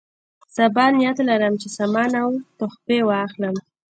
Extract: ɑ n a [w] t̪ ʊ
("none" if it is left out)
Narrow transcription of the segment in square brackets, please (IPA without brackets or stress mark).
w